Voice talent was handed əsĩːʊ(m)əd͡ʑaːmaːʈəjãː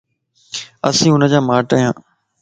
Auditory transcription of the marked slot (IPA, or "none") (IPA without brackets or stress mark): n